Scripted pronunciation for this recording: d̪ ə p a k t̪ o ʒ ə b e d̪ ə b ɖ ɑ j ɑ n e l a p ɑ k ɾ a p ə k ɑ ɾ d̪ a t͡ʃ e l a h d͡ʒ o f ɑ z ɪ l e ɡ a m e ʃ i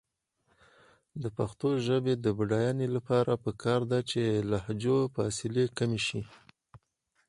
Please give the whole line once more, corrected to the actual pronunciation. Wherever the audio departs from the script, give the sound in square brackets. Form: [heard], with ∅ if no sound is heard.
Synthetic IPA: d̪ ə p a [x] t̪ o ʒ ə b e d̪ ə b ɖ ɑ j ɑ n e l a p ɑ [∅] ɾ a p ə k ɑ ɾ d̪ a t͡ʃ e l a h d͡ʒ o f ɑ [s] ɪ l e [k] a m e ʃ i